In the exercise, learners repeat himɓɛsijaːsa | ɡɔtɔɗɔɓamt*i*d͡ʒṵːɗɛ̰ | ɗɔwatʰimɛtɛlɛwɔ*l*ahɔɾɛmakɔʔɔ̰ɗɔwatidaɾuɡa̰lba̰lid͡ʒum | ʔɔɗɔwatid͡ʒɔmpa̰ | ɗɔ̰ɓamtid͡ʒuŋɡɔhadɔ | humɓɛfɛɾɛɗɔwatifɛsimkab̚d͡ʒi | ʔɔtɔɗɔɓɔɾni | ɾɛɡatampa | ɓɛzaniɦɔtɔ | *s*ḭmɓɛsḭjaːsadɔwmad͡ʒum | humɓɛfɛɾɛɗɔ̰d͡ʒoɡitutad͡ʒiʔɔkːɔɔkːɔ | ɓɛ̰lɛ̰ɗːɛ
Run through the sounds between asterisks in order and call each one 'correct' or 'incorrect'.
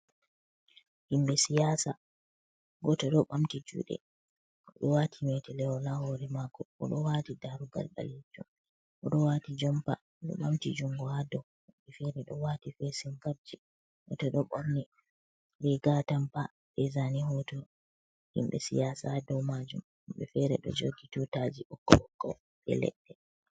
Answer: correct, correct, incorrect: h

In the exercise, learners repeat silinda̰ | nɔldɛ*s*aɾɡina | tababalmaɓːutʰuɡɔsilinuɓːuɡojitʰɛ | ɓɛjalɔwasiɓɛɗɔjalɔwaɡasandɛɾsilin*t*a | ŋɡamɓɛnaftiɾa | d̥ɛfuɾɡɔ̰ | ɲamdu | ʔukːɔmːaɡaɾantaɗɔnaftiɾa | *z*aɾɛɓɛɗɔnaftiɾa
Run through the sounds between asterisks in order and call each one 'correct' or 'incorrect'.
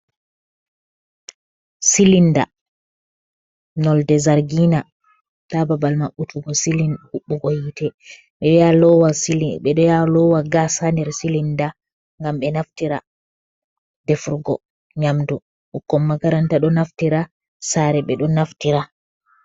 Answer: incorrect: z, incorrect: d, incorrect: s

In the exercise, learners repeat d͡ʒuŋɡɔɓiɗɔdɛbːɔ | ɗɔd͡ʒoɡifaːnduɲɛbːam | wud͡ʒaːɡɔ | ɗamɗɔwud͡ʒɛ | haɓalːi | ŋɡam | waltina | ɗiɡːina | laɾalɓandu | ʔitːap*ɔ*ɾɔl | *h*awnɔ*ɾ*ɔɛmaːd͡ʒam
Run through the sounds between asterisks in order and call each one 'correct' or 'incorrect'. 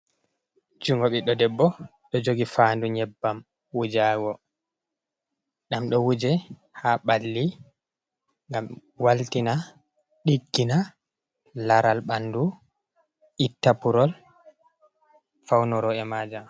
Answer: incorrect: u, incorrect: f, correct

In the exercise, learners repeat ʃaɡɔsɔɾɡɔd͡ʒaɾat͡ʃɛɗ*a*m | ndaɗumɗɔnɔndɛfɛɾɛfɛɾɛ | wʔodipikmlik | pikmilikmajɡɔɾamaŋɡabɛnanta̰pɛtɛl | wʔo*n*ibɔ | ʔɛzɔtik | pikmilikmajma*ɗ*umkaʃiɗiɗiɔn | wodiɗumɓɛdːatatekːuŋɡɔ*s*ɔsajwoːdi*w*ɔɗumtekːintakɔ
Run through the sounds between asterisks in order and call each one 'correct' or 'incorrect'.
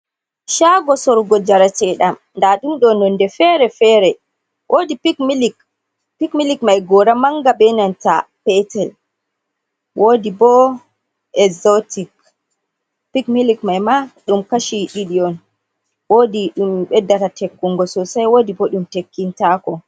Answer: correct, incorrect: d, correct, correct, incorrect: b

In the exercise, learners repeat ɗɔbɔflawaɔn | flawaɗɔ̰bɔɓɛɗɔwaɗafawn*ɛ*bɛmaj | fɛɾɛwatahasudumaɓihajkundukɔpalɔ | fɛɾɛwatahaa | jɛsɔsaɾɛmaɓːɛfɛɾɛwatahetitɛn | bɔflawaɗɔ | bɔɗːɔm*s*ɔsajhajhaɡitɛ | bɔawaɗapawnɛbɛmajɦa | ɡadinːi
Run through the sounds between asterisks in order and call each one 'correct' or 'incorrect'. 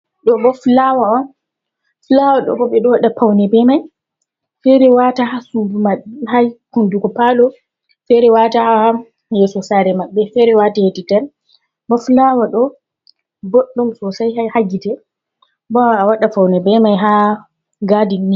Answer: correct, correct

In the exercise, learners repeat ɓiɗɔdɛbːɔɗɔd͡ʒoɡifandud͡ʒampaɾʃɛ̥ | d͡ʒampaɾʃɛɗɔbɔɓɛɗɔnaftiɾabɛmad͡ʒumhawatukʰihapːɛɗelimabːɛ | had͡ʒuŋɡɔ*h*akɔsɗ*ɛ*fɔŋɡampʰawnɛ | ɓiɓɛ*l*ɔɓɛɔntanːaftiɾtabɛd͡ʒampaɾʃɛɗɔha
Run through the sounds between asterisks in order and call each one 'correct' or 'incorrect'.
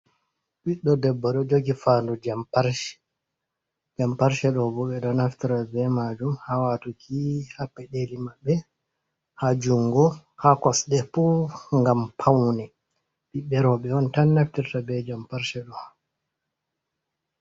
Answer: correct, correct, incorrect: ɾ

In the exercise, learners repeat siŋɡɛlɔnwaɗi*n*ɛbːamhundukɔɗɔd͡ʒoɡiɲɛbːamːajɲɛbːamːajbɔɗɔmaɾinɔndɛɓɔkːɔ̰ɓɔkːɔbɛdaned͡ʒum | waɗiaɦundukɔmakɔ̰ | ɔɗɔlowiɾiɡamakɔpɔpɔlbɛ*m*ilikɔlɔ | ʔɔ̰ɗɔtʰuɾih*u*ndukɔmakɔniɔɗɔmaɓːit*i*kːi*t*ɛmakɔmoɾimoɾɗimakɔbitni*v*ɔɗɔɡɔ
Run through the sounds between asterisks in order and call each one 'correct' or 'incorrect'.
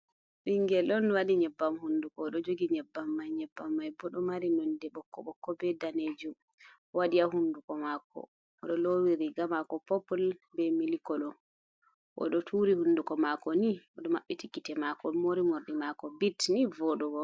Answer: incorrect: ɲ, correct, correct, correct, correct, correct

